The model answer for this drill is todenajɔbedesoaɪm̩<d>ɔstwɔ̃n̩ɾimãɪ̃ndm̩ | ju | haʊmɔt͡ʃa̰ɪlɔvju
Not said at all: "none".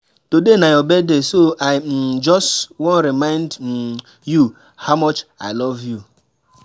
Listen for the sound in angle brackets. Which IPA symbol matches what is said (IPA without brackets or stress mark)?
d͡ʒ